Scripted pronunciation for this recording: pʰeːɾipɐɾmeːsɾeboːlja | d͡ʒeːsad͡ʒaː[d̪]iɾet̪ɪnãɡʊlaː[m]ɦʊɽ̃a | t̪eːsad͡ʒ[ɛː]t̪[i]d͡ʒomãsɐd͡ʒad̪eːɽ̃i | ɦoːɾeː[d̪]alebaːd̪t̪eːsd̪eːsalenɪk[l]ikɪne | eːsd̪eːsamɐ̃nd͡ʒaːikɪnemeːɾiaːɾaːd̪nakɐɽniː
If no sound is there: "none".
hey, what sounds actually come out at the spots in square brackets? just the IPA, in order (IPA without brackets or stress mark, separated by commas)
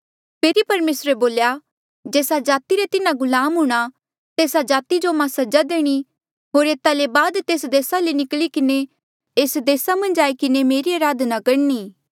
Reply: t̪, m, aː, i, t̪, l